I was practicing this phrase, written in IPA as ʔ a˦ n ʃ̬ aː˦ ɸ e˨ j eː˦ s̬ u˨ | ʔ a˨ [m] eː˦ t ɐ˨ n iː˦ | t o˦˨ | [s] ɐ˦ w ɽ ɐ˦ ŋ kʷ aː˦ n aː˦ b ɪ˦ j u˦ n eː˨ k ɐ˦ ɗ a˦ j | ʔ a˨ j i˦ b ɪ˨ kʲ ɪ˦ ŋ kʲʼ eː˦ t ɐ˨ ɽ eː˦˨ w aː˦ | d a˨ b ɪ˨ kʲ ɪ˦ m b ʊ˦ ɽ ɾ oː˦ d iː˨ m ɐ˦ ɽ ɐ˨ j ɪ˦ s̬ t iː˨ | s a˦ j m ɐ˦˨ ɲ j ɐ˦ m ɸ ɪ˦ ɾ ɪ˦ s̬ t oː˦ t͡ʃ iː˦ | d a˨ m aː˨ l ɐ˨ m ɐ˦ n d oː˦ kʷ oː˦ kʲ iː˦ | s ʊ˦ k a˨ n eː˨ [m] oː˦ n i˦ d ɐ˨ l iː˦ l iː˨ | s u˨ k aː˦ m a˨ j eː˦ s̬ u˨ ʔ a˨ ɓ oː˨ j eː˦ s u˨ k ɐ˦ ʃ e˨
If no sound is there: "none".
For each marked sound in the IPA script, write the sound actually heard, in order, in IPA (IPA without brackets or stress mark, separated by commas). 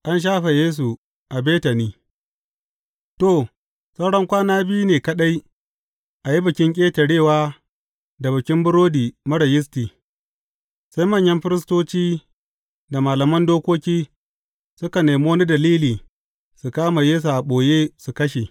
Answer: b, s, m